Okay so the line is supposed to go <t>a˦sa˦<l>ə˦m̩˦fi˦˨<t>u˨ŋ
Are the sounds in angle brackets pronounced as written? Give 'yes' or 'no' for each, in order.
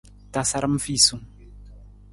yes, no, no

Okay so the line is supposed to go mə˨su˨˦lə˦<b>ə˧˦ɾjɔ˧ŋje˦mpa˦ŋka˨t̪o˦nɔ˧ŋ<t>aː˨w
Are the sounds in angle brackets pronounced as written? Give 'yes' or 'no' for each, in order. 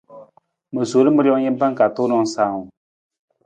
no, no

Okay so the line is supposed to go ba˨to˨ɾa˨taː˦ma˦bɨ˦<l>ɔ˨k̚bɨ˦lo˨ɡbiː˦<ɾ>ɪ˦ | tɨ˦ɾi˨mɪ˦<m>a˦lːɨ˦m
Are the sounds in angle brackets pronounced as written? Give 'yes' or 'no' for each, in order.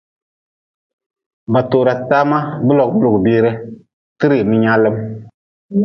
yes, yes, no

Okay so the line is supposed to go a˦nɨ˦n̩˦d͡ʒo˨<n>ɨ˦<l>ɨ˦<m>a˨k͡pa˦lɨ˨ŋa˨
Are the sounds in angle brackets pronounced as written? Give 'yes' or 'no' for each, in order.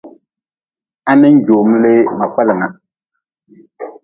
no, yes, yes

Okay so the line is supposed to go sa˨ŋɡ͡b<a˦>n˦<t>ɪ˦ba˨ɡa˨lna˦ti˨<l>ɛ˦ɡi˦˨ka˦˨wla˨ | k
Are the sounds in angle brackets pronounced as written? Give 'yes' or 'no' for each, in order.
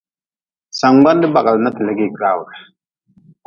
yes, no, yes

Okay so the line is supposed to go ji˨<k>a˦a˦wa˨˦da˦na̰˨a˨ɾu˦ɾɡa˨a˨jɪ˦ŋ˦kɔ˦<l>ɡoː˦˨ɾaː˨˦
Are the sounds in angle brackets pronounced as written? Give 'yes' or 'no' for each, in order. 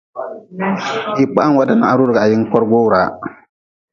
no, no

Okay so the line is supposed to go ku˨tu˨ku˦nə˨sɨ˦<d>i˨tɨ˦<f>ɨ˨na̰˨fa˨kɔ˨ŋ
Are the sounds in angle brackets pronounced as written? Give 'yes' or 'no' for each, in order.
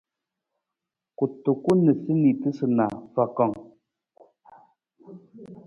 no, no

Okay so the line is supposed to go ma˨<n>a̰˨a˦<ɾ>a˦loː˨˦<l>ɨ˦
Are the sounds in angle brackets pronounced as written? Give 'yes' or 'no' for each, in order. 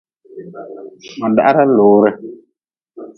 no, yes, no

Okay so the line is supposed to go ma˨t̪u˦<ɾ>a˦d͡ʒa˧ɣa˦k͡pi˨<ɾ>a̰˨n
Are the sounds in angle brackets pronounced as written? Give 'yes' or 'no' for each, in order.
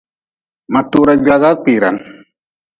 yes, yes

